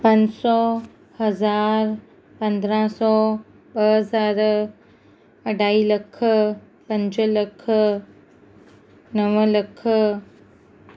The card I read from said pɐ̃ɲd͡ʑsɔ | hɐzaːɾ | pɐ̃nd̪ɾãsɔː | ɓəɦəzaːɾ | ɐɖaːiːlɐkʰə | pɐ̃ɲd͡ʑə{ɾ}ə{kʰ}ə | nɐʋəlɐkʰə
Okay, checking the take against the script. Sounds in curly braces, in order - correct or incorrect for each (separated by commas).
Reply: incorrect, correct